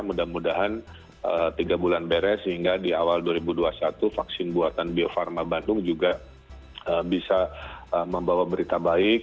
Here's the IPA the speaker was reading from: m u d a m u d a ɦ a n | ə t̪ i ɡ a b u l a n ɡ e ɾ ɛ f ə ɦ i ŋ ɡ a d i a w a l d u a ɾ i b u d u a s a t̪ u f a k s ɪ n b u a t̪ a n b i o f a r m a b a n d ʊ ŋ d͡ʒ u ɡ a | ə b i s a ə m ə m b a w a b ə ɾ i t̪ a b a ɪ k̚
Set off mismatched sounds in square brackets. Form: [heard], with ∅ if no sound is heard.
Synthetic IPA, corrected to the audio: m u d a m u d a ɦ a n | ə t̪ i ɡ a b u l a n [b] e ɾ ɛ [s] ə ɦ i ŋ ɡ a d i a w a l d u a ɾ i b u d u a s a t̪ u f a k s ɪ n b u a t̪ a n b i o f a r m a b a n d ʊ ŋ d͡ʒ u ɡ a | ə b i s a ə m ə m b a w a b ə ɾ i t̪ a b a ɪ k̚